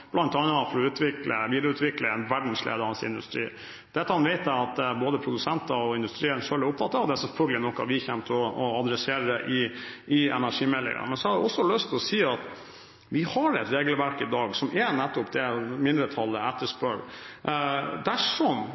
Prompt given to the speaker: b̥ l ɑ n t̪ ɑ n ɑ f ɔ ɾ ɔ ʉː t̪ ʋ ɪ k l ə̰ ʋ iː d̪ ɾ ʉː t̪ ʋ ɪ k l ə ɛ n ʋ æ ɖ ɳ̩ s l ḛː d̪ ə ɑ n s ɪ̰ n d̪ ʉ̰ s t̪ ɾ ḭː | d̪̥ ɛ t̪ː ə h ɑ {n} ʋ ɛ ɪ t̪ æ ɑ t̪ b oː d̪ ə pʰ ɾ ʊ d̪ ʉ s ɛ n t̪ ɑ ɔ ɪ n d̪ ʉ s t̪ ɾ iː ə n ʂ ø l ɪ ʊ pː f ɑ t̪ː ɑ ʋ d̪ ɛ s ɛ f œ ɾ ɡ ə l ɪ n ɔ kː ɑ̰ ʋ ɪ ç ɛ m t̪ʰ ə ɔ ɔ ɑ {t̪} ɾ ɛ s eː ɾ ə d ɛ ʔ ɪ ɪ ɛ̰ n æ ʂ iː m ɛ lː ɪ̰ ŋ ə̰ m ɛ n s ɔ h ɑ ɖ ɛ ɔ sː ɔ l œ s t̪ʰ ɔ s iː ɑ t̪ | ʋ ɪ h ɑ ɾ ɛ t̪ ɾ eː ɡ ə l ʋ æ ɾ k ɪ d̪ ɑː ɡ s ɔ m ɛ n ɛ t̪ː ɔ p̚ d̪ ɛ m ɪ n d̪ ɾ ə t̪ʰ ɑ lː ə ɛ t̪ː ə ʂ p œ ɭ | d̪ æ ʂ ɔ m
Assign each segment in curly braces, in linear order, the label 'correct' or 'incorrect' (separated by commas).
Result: correct, incorrect